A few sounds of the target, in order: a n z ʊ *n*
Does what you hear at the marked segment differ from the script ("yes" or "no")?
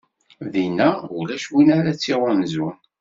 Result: no